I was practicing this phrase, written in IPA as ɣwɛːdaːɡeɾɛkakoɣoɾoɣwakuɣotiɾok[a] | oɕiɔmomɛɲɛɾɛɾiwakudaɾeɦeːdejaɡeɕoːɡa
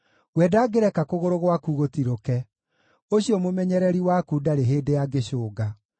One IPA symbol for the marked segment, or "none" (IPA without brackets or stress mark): ɛ